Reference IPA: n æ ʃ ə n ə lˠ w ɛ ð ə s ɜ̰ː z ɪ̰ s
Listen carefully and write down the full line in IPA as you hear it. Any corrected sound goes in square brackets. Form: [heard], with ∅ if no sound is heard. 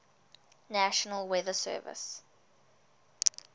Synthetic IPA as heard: n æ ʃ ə n ə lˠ w ɛ ð ə s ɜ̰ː [v] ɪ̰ s